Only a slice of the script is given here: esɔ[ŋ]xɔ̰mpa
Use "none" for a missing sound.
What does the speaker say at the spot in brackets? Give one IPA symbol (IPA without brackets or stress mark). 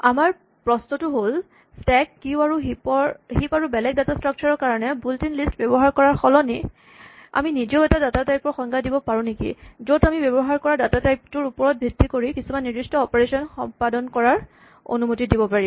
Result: n